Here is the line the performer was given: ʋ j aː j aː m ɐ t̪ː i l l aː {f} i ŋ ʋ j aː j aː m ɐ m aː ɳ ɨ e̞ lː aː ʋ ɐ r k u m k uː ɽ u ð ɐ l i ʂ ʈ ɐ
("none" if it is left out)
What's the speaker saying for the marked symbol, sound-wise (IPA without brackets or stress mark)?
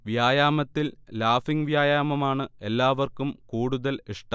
f